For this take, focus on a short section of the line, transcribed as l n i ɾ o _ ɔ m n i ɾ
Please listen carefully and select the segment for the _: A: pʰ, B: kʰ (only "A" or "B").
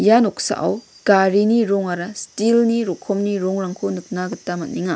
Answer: B